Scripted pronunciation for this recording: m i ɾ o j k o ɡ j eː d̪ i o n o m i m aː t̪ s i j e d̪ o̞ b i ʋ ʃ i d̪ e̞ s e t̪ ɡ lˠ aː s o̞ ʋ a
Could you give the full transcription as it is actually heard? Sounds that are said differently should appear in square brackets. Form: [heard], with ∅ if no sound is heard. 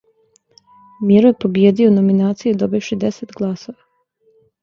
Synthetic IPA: m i ɾ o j [p] o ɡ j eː d̪ i o n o m i [n] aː t̪ s i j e d̪ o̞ b i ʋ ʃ i d̪ e̞ s e t̪ ɡ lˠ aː s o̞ ʋ a